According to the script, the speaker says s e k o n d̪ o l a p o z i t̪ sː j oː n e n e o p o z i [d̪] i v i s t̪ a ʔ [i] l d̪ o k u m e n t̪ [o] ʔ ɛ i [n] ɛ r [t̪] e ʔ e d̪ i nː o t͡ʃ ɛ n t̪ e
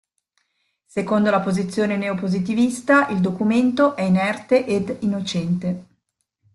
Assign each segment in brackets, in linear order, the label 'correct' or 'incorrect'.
incorrect, correct, correct, correct, correct

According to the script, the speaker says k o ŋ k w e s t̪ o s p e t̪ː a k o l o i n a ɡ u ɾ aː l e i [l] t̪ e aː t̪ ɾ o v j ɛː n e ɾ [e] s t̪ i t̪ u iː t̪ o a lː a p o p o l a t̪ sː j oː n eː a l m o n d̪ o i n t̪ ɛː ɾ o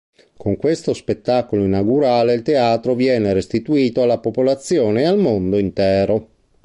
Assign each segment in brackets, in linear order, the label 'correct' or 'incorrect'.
correct, correct

